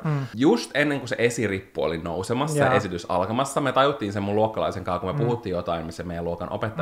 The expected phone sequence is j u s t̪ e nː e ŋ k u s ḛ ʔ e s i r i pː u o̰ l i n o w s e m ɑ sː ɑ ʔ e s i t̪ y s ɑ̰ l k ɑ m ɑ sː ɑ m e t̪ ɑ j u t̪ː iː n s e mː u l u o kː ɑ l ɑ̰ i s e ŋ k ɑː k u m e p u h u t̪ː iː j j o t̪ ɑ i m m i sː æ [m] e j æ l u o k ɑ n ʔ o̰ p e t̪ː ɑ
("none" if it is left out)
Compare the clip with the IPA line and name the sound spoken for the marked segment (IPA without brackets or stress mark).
m